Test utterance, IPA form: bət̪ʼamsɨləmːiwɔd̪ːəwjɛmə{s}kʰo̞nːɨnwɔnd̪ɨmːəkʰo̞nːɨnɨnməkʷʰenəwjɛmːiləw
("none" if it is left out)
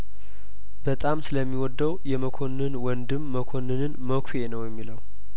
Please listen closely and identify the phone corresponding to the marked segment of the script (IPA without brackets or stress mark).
none